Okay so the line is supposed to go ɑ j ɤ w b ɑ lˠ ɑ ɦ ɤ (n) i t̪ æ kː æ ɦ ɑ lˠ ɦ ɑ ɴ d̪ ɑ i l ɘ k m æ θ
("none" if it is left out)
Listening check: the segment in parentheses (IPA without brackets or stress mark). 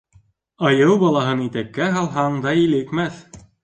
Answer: n